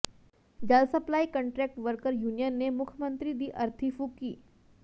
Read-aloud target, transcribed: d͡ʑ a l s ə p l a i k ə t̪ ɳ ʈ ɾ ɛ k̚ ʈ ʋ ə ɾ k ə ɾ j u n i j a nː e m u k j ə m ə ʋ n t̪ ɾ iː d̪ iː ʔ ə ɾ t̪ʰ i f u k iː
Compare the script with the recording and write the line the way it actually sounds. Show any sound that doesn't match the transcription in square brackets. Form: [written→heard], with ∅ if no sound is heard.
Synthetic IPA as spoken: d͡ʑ a l s ə p l a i k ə [t̪→∅] ɳ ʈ ɾ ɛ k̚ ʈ ʋ ə ɾ k ə ɾ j u n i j [a→ə] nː e m u [k→kʰ] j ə m ə [ʋ→∅] n t̪ ɾ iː d̪ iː ʔ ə ɾ t̪ʰ i f u k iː